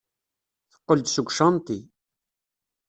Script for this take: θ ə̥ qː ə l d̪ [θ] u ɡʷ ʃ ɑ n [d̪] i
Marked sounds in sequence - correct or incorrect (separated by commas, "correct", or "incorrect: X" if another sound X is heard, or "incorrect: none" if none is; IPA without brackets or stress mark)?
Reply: incorrect: s, incorrect: t̪